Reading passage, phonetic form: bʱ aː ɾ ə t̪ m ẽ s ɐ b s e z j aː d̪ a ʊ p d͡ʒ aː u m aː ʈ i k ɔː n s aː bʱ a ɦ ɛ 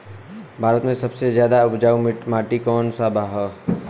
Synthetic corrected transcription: bʱ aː ɾ ə t̪ m ẽ s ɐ b s e z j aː d̪ a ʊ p d͡ʒ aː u m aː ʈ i k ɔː n s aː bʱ a ɦ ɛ